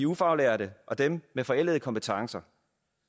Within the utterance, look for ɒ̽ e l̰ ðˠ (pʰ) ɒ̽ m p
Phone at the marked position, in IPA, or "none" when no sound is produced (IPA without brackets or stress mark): kʰ